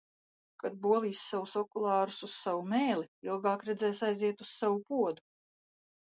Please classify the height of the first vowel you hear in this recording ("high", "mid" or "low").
low